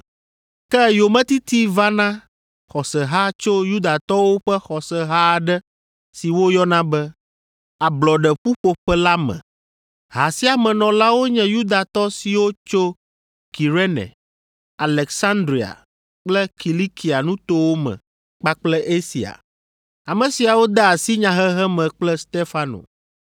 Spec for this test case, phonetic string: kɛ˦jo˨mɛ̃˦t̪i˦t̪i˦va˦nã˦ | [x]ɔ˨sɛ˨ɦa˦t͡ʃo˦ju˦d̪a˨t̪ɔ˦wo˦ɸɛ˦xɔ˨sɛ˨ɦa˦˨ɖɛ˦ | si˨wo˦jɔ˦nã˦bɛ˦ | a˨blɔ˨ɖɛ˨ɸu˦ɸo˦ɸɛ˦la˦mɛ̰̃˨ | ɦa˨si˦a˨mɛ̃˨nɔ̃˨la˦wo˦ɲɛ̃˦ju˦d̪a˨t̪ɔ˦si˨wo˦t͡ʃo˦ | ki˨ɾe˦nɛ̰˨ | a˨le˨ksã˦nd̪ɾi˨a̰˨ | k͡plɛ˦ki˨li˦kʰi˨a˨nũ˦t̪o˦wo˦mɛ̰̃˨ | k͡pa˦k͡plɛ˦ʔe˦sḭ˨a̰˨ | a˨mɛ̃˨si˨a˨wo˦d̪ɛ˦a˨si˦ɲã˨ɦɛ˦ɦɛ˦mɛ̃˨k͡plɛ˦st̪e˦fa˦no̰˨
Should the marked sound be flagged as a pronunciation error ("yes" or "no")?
no